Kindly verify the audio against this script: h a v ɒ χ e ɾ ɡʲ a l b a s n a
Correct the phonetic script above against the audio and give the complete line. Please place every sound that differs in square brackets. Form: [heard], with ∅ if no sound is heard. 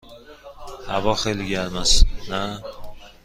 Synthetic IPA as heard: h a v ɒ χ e [l] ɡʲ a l [m] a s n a